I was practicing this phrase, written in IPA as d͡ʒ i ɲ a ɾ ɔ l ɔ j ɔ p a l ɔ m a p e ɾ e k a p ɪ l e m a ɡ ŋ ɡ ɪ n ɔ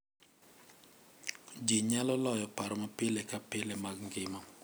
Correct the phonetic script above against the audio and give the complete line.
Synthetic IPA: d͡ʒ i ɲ a l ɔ l ɔ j ɔ p a ɾ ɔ m a p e l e k a p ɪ l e m a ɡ ŋ ɡ ɪ m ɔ